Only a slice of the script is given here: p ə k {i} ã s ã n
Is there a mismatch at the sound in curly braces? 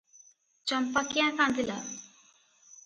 yes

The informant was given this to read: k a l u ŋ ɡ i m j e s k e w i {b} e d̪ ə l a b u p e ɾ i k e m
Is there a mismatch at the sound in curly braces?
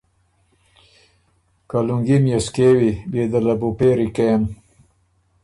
no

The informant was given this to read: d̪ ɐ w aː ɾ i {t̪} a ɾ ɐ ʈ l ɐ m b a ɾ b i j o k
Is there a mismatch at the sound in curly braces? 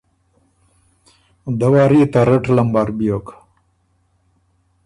no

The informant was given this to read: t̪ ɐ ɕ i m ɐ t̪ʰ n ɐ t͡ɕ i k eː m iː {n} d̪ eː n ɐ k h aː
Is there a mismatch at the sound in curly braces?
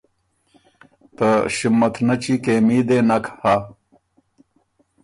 yes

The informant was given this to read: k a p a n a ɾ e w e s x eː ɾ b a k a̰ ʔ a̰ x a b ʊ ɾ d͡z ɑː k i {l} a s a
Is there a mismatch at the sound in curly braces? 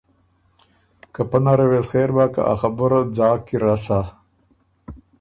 yes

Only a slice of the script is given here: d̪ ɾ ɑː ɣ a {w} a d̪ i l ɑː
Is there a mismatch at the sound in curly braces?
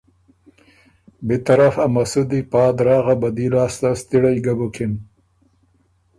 yes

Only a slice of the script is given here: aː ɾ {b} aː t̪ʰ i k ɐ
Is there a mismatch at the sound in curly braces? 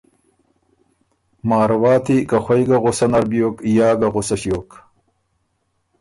yes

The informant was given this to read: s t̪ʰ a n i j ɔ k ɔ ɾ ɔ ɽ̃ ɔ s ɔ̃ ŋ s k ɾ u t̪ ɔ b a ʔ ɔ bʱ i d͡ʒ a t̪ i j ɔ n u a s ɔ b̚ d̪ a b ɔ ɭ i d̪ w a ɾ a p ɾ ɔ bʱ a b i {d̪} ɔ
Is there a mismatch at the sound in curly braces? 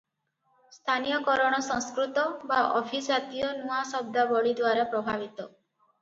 yes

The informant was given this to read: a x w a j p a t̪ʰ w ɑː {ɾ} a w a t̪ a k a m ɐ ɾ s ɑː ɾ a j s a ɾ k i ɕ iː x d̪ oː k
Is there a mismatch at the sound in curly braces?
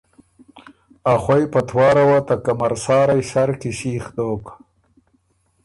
no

